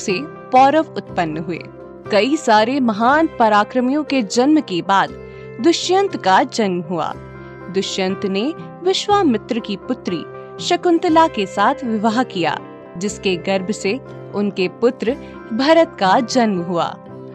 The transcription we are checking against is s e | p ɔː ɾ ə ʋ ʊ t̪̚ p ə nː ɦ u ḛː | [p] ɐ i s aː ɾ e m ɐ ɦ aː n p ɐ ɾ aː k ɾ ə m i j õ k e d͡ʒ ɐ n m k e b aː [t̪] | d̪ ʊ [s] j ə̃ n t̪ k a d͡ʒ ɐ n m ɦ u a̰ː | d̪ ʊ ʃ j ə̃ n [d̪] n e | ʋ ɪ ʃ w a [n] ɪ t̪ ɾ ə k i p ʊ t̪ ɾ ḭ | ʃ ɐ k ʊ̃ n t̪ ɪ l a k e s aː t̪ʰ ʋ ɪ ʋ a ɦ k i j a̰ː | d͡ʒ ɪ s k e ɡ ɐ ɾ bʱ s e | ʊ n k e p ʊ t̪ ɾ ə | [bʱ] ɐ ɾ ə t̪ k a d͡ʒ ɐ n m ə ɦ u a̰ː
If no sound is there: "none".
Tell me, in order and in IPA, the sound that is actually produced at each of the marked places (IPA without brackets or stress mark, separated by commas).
k, d̪, ʃ, t̪, m, bʱ